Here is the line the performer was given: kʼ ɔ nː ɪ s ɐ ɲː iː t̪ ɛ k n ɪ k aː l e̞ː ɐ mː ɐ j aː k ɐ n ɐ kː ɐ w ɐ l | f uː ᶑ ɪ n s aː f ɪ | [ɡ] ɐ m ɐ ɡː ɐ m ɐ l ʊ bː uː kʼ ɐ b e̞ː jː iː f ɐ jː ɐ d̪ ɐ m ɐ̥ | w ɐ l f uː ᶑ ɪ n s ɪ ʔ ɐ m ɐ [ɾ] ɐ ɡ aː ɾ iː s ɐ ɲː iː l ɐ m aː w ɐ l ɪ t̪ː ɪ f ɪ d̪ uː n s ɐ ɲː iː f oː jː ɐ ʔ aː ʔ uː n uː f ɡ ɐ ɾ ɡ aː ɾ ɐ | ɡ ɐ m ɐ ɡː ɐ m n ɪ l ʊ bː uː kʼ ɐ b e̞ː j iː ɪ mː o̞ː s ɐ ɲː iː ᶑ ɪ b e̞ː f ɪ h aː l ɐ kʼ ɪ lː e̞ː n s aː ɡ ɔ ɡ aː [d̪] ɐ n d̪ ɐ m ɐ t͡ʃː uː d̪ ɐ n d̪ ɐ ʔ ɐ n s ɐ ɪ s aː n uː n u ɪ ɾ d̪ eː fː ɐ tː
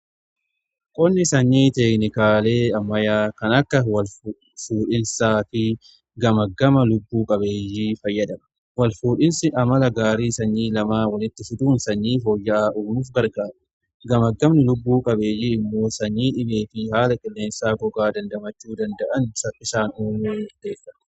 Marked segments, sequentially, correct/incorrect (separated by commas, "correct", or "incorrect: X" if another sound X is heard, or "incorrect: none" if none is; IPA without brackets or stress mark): correct, incorrect: l, correct